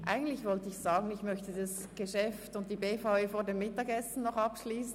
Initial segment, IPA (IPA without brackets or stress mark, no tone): ʔ